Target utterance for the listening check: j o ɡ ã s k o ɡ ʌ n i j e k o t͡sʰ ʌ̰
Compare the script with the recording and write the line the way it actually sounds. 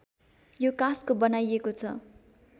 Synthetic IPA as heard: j o k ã s k o b ʌ n a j e k o t͡sʰ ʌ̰